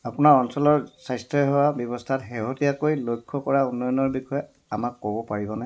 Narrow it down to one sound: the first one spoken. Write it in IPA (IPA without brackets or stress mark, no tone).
a